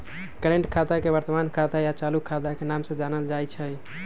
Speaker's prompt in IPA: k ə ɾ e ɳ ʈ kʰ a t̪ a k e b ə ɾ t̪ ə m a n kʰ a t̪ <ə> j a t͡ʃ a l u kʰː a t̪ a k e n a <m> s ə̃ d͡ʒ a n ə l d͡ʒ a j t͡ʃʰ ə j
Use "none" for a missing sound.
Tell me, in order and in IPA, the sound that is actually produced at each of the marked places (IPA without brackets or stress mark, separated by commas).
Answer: a, m